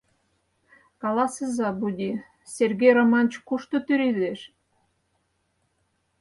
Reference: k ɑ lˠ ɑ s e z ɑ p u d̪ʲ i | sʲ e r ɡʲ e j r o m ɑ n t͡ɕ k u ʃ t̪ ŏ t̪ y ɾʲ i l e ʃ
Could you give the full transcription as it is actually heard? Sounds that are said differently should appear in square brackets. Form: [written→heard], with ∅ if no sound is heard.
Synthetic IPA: k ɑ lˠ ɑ s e z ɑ [p→b] u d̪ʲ i | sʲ e r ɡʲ e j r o m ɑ n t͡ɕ k u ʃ t̪ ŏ t̪ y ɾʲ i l e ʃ